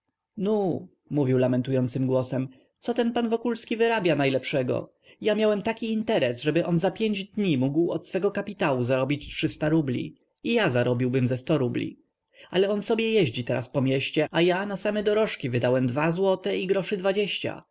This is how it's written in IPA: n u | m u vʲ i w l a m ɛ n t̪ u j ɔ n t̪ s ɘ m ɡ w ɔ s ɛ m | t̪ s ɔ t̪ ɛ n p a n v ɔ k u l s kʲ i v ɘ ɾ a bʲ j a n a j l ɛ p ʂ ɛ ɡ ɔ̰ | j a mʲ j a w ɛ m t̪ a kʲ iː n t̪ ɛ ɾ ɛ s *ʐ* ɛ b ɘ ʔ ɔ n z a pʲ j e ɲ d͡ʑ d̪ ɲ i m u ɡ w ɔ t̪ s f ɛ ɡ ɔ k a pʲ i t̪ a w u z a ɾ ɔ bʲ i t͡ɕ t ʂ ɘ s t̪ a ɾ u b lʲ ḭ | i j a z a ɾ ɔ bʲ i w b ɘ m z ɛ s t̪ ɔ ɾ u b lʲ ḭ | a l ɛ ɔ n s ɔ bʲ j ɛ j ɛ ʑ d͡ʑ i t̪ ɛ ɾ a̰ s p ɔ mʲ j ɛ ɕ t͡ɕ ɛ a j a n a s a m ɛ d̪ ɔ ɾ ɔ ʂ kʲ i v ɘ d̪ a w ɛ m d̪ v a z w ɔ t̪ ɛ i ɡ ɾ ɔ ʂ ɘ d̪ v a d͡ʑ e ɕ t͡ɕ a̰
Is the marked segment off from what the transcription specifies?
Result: no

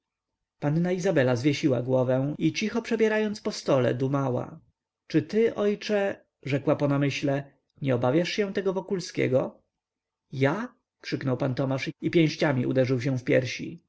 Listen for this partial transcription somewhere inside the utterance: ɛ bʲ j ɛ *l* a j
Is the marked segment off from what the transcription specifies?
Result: yes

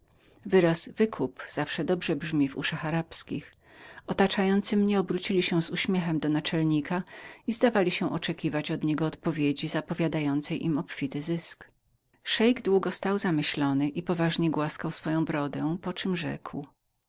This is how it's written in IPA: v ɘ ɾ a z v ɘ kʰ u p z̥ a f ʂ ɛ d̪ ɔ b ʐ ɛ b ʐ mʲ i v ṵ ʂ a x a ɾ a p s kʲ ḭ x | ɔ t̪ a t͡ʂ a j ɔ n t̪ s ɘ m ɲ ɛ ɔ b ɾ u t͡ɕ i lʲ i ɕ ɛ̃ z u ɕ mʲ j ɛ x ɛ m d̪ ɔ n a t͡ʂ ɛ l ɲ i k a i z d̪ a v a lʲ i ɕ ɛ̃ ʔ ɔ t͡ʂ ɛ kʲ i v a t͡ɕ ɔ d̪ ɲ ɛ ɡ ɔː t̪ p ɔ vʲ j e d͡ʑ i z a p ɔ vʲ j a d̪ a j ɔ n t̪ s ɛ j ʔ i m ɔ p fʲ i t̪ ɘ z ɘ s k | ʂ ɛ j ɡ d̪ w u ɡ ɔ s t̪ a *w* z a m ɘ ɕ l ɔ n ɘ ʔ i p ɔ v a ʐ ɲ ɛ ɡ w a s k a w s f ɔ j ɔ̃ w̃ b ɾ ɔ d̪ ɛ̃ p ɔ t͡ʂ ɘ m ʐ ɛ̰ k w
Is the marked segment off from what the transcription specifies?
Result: no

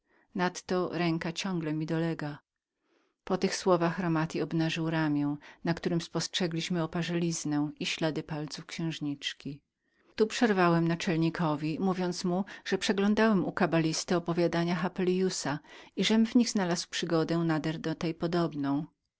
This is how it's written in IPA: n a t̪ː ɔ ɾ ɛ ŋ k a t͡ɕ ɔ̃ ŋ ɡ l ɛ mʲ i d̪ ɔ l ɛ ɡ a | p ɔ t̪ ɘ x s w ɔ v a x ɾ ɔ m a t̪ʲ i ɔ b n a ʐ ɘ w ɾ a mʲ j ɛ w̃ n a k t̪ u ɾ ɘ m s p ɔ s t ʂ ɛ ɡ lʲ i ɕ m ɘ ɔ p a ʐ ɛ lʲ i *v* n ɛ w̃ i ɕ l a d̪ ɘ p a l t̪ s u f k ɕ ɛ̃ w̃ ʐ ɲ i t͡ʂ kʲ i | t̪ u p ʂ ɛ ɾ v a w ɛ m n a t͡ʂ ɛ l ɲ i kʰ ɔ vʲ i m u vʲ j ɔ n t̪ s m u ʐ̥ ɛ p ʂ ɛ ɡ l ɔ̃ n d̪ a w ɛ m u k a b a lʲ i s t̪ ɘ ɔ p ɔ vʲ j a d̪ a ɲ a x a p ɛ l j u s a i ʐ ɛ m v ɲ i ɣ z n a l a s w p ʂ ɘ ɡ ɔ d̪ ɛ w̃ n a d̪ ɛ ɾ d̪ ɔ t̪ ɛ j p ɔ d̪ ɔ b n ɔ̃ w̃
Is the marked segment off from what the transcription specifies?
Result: yes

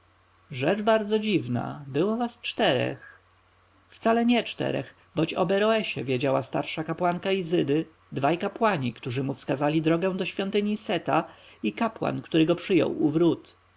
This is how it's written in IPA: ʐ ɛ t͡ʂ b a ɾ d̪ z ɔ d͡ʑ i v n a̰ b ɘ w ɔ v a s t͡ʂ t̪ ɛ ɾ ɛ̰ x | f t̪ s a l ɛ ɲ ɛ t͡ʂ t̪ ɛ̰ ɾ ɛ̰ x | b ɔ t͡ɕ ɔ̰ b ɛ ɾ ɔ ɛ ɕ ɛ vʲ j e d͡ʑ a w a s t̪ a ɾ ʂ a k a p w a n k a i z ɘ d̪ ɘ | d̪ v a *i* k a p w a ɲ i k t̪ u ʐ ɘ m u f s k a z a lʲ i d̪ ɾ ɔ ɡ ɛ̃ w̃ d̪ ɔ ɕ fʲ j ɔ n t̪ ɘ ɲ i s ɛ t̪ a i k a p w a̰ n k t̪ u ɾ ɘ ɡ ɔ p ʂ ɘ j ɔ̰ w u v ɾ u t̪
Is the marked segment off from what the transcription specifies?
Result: yes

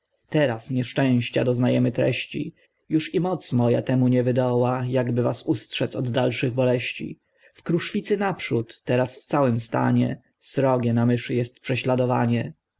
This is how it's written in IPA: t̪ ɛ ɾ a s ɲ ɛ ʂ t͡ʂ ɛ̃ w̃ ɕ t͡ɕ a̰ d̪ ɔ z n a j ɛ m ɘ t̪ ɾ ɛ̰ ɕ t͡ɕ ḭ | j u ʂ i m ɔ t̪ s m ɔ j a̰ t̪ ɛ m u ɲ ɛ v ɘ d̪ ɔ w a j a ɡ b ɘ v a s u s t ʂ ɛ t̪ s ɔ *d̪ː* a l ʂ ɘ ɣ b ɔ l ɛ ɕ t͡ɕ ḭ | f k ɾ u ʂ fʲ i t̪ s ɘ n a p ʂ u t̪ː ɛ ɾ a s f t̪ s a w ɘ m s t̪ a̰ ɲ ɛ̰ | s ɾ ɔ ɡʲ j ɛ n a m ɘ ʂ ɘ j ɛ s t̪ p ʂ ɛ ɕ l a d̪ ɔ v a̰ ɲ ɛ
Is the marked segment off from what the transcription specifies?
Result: no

